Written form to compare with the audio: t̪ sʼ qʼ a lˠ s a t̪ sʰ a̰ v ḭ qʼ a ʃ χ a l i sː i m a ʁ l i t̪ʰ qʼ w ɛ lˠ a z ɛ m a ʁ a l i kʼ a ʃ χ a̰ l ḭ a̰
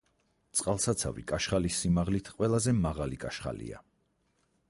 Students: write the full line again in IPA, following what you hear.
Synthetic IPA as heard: t̪ sʼ qʼ a lˠ s a t̪ sʰ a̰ v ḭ kʼ a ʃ χ a l i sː i m a ʁ l i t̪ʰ qʼ w ɛ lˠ a z ɛ m a ʁ a l i kʼ a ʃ χ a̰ l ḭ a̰